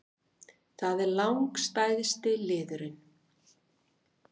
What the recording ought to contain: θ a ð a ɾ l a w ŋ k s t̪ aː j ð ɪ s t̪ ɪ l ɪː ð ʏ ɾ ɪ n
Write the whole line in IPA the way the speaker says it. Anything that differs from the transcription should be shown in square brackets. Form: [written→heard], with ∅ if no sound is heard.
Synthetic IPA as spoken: θ a ð [a→ɛ] ɾ l a w ŋ k s t̪ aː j ð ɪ s t̪ ɪ l ɪː ð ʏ ɾ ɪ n